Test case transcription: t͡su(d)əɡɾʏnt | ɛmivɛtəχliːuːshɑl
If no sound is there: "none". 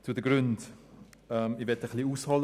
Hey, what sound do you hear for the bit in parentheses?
d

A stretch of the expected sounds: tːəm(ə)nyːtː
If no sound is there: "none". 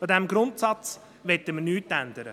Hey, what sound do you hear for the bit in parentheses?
ə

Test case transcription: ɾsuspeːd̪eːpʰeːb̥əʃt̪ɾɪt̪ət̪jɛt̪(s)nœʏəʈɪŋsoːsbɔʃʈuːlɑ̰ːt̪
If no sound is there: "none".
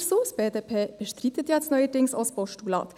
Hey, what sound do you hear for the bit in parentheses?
s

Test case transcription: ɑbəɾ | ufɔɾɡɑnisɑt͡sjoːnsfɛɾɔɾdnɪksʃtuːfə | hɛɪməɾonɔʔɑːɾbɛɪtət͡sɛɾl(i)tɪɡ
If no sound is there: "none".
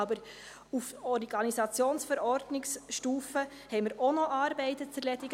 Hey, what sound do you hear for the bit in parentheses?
ɛ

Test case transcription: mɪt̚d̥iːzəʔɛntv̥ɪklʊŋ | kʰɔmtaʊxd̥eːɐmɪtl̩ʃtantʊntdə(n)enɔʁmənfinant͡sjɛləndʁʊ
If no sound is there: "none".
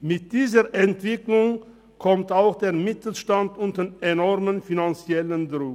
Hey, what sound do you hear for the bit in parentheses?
n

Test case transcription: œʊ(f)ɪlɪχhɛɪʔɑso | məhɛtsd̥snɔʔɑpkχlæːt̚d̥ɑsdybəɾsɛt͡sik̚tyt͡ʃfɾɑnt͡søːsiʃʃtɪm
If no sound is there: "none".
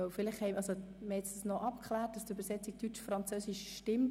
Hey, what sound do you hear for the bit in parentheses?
f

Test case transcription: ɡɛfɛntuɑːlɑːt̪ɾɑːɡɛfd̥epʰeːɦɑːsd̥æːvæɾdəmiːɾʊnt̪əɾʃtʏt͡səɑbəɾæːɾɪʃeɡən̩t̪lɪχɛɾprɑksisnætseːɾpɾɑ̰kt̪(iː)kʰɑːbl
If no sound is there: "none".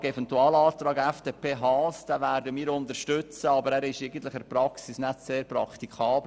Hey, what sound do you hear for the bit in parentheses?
i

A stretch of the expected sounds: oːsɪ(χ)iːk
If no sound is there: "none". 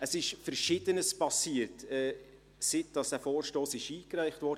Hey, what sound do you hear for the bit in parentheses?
ʃ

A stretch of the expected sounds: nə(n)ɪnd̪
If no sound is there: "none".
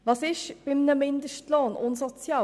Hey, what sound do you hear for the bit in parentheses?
m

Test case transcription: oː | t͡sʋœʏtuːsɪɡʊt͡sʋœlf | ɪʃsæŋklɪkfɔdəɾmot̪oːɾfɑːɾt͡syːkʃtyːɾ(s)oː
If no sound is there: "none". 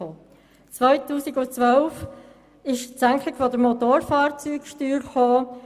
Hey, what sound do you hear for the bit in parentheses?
χ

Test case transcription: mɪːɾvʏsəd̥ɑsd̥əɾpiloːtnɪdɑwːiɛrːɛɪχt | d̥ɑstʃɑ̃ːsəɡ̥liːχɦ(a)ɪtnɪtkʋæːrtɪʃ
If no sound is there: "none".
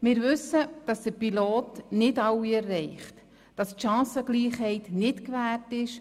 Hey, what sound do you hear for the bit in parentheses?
ɛ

